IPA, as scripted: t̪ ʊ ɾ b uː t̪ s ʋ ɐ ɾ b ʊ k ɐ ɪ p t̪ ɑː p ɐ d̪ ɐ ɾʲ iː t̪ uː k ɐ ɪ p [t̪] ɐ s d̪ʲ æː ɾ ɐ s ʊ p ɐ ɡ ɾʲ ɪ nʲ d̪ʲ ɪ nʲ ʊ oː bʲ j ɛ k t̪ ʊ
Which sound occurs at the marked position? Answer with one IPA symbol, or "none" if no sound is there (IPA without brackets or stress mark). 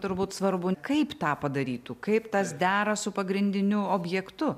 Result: t̪